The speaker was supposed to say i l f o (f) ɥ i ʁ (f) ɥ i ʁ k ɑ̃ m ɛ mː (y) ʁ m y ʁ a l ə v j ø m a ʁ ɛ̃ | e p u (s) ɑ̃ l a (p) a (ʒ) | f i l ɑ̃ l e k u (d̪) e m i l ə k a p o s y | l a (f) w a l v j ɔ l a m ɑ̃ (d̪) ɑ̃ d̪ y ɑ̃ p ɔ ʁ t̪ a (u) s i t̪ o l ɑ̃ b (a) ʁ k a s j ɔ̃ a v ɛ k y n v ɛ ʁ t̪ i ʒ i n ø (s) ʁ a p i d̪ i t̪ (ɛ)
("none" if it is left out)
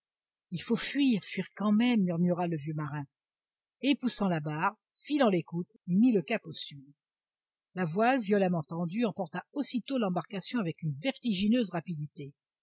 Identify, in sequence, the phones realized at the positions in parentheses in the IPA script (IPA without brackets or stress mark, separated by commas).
f, f, y, s, b, ʁ, t̪, v, t̪, o, a, z, e